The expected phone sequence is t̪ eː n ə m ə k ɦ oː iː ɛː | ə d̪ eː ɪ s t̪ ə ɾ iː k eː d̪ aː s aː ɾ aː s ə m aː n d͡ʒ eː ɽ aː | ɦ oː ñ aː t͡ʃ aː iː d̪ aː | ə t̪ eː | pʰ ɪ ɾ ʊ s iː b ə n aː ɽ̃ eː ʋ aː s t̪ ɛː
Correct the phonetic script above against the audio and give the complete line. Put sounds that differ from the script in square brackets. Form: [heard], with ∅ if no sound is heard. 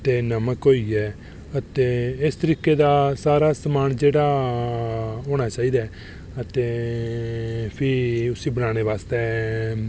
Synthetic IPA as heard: t̪ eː n ə m ə k ɦ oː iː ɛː | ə [t̪] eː ɪ s t̪ ə ɾ iː k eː d̪ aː s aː ɾ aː s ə m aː n d͡ʒ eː ɽ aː | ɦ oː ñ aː t͡ʃ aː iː d̪ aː | ə t̪ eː | pʰ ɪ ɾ ʊ s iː b ə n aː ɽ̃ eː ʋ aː s t̪ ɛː